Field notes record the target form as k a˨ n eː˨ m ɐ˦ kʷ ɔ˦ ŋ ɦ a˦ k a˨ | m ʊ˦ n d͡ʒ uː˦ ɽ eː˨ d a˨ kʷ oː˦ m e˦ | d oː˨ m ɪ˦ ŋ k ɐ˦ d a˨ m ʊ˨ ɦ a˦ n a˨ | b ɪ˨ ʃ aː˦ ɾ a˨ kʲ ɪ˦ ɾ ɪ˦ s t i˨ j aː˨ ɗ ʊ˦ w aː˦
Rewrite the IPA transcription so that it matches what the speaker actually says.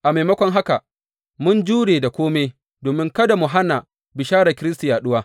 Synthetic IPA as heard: ʔ a˨ m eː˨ m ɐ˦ kʷ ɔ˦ ŋ ɦ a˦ k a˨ | m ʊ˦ n d͡ʒ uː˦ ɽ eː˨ d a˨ kʷ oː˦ m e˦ | d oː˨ m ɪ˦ ŋ k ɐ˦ d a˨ m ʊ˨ ɦ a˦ n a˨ | b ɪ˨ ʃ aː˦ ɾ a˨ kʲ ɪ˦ ɾ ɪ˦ s t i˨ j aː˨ ɗ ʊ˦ w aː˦